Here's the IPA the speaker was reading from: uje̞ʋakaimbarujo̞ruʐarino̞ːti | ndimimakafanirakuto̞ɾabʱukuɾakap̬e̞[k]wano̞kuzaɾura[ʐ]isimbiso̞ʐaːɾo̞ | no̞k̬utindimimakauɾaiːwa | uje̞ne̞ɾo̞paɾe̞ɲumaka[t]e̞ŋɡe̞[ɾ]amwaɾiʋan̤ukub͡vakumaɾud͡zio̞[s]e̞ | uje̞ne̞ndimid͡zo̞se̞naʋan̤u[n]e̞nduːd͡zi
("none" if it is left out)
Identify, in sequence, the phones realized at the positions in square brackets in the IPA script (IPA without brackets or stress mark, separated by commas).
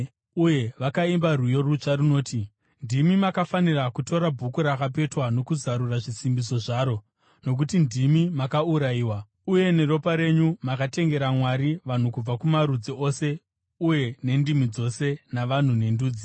t, ʐ, t, ɾ, s, n